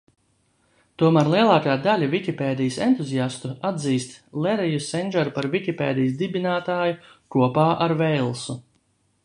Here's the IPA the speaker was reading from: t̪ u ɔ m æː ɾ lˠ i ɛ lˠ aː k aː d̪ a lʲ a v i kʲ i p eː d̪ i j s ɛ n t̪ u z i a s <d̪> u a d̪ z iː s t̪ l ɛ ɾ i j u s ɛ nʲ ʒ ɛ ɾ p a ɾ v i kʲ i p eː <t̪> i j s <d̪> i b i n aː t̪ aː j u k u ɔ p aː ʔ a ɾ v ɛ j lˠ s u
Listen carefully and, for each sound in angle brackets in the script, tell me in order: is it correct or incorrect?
incorrect: t̪, incorrect: d̪, correct

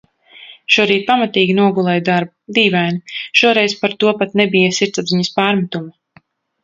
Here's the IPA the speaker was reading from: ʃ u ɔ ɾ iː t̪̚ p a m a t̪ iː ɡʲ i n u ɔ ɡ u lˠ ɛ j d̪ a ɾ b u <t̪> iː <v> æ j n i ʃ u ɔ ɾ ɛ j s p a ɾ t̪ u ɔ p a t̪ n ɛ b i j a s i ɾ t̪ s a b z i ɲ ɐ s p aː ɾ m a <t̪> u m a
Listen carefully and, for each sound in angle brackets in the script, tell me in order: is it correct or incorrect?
incorrect: d̪, correct, correct

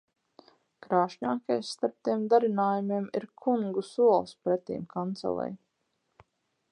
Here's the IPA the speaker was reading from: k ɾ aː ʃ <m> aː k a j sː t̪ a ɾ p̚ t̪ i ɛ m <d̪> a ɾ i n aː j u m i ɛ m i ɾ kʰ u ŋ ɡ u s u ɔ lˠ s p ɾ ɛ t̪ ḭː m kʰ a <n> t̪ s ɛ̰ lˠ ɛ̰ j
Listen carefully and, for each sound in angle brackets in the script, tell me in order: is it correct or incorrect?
incorrect: ɲ, correct, correct

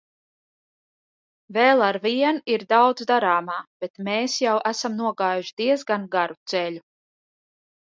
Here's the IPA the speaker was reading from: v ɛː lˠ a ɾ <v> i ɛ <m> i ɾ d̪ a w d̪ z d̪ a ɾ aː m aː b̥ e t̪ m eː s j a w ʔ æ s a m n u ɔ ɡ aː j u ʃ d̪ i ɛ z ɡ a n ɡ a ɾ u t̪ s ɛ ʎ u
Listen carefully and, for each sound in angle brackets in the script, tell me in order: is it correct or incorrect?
correct, incorrect: n

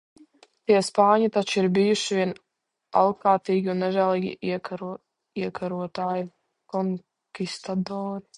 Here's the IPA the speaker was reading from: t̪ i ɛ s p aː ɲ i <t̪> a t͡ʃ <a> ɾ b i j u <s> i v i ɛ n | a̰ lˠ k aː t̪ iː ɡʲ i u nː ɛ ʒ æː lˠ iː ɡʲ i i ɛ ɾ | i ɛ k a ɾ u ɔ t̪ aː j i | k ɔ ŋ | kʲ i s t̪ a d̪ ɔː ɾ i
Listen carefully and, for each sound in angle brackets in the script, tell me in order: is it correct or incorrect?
correct, incorrect: i, incorrect: ʃ

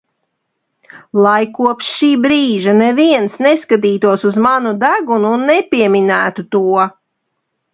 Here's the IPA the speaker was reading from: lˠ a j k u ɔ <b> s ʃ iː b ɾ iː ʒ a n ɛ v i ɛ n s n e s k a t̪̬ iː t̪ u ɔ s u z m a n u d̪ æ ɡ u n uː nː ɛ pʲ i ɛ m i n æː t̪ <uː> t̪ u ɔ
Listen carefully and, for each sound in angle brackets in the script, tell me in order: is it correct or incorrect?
incorrect: p, incorrect: u

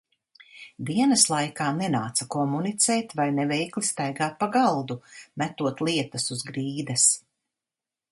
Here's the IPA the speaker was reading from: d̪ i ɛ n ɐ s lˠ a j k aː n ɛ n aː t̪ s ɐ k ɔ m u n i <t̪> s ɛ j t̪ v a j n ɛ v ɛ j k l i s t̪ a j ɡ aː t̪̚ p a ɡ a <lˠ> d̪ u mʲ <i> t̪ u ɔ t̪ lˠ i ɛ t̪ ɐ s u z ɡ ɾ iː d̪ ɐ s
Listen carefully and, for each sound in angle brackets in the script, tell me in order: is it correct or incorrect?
correct, correct, incorrect: æ

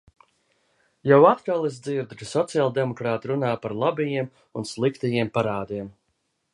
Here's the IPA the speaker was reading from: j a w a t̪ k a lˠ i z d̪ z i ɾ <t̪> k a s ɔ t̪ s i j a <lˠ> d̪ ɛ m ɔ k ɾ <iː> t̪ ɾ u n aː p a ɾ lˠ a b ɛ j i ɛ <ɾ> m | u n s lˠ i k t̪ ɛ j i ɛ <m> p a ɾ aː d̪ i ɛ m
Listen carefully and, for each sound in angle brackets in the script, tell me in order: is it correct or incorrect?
incorrect: d̪, correct, incorrect: aː, incorrect: none, correct

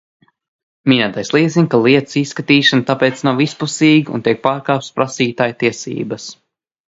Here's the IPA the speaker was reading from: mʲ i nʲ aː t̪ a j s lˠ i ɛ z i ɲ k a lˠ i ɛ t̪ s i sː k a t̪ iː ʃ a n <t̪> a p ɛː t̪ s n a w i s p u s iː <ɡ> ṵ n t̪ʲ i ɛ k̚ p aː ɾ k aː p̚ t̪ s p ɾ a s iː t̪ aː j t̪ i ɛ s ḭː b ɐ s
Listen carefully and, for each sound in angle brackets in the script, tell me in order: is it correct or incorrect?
correct, correct

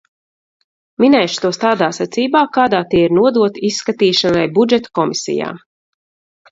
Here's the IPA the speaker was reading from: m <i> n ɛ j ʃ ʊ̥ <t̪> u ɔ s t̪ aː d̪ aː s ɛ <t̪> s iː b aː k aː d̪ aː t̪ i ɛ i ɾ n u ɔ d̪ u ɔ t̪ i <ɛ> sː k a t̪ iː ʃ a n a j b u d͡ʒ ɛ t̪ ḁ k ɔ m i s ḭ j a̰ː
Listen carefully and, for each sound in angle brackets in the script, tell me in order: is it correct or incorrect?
correct, correct, correct, incorrect: i

